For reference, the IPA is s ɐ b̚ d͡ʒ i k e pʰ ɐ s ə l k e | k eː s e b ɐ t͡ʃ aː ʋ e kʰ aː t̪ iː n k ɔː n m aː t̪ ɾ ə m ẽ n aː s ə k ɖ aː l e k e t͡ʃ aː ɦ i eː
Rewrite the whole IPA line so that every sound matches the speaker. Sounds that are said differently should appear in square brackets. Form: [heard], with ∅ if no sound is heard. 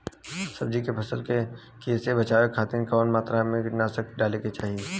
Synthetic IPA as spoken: s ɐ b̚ d͡ʒ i k e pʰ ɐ s ə l k e | k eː s e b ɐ t͡ʃ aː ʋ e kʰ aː t̪ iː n k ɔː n m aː t̪ ɾ [a] m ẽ n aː s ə k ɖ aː l e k e t͡ʃ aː ɦ i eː